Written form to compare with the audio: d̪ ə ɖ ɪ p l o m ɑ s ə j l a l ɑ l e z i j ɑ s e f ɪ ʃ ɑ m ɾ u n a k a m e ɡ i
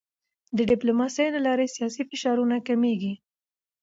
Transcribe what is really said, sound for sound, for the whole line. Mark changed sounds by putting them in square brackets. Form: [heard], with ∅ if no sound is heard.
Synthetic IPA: d̪ ə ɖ ɪ p l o m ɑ s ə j l a l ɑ [ɾ] e [s] i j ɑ s [i] f ɪ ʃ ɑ [∅] ɾ u n a k a m e ɡ i